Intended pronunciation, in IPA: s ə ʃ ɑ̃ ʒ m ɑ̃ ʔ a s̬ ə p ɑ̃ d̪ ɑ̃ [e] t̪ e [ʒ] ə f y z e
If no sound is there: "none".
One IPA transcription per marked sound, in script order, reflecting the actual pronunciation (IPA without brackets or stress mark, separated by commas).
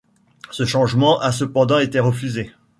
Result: e, ʁ